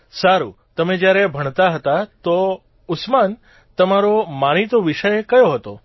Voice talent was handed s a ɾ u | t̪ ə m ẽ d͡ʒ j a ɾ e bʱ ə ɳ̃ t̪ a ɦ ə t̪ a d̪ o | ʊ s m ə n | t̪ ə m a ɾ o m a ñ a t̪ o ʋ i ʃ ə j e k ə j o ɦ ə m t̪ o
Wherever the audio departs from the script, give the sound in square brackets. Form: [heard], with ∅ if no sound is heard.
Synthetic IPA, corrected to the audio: s a ɾ u | t̪ ə m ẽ d͡ʒ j a ɾ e bʱ ə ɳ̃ t̪ a ɦ ə t̪ a [t̪] o | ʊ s m [a] n | t̪ ə m a ɾ o m a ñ [i] t̪ o ʋ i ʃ ə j e k ə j o ɦ ə [∅] t̪ o